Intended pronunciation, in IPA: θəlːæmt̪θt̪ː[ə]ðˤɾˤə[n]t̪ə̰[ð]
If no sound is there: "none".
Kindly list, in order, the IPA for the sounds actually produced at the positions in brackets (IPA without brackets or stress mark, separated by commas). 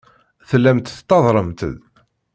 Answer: ɑ, m, ð